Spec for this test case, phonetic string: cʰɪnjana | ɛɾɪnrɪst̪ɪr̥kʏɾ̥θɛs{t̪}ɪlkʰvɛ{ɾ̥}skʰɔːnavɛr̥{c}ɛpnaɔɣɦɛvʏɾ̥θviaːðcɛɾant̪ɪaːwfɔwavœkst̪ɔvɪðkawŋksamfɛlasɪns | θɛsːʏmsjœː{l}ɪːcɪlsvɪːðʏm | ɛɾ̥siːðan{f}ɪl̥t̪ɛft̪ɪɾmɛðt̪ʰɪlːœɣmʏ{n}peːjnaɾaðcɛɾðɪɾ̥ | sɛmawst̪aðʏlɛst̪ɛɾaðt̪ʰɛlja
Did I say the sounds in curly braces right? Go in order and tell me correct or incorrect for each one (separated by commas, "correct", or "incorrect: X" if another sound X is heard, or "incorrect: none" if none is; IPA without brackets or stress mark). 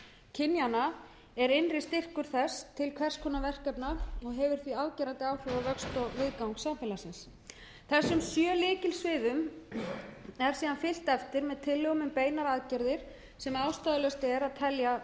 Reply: incorrect: t̪ʰ, incorrect: r̥, incorrect: k, correct, correct, incorrect: m